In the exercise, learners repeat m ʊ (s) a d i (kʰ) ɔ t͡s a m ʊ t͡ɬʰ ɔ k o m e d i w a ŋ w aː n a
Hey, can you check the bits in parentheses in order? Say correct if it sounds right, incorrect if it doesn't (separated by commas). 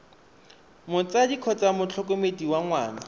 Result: incorrect, correct